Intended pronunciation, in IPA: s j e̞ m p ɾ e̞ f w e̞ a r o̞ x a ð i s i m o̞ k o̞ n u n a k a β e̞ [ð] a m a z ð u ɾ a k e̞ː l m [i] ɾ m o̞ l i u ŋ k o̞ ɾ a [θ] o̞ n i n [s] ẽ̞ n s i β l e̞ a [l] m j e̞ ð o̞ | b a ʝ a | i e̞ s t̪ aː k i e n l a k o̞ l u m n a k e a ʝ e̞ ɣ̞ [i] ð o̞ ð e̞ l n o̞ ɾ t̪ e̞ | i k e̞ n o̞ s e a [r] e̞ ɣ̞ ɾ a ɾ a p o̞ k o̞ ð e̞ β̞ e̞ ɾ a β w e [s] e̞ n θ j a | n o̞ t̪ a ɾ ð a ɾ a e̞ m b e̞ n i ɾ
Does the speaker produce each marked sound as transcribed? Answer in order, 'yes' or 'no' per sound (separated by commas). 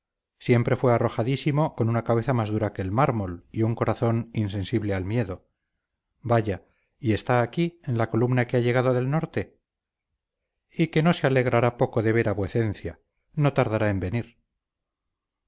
no, no, yes, yes, yes, no, no, no